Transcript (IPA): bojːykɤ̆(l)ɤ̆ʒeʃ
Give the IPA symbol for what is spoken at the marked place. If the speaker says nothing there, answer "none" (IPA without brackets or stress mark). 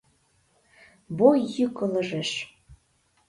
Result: l